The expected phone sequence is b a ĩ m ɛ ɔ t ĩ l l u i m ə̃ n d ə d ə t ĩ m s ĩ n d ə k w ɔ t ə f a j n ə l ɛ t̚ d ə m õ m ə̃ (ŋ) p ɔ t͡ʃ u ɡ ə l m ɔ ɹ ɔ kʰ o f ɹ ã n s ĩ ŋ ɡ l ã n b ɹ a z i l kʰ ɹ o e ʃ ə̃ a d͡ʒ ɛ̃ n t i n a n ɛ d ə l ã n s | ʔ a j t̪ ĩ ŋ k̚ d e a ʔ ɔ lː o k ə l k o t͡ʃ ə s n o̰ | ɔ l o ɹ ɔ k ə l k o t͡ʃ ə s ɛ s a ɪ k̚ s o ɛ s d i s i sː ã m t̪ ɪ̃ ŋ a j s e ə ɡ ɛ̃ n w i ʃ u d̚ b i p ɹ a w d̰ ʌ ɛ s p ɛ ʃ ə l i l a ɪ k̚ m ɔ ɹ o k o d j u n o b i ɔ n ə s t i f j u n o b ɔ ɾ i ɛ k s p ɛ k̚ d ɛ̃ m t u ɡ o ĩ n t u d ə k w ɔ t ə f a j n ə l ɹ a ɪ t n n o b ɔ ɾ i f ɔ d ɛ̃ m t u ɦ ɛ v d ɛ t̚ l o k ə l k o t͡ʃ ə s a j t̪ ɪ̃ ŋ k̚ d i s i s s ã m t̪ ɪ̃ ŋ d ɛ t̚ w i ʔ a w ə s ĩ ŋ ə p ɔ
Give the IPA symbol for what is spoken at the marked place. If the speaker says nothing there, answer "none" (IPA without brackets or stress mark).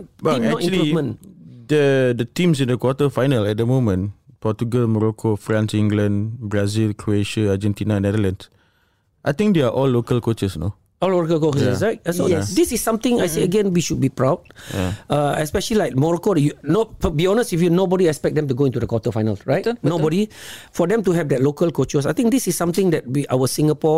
n